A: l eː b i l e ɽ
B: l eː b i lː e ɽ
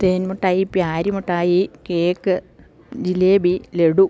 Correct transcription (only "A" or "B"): A